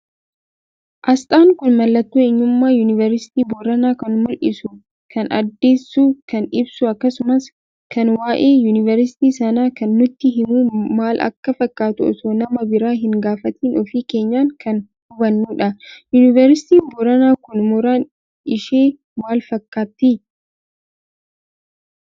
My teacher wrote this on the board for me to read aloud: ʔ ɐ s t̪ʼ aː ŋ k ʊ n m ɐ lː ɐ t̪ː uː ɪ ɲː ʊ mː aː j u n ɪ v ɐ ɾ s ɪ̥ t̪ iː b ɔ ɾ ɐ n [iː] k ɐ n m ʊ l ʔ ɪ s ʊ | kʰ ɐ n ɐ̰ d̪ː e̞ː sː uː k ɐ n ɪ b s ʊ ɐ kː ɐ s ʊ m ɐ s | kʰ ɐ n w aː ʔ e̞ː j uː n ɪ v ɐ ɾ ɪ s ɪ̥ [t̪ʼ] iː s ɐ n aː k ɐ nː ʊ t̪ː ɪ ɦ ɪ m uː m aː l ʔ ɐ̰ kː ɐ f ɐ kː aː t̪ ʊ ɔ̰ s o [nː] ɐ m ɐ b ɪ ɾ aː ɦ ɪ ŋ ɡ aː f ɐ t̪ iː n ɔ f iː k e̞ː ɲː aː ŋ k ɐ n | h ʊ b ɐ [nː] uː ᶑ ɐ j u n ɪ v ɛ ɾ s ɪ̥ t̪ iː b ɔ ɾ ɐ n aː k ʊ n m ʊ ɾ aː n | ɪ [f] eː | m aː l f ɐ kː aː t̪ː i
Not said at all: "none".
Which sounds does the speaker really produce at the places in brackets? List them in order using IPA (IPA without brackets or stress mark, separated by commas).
aː, t̪, n, nː, ʃ